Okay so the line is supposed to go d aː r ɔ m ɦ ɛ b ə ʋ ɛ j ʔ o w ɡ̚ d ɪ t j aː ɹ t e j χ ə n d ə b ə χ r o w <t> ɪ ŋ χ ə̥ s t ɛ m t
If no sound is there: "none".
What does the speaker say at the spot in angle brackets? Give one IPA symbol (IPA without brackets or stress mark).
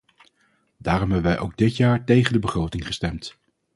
t